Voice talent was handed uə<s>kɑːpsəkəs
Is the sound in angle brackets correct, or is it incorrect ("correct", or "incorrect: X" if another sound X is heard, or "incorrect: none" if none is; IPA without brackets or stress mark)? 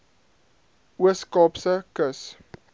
correct